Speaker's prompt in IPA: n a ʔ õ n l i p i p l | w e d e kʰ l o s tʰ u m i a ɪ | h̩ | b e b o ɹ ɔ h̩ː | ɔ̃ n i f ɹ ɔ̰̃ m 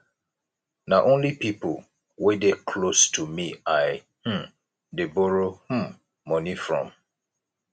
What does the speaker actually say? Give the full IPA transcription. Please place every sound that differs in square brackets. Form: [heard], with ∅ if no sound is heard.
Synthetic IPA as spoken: n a ʔ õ n l i p i p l | w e d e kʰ l o s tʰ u m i a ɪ | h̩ | [d] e b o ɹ [o] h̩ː | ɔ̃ n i f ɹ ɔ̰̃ m